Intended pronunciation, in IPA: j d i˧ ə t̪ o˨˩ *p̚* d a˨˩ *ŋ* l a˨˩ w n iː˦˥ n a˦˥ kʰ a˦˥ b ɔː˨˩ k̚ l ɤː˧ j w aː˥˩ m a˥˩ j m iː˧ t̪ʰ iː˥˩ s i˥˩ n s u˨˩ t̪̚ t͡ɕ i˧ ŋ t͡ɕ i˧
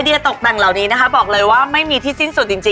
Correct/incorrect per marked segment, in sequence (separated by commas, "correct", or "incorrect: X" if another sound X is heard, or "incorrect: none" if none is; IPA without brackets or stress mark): incorrect: k̚, correct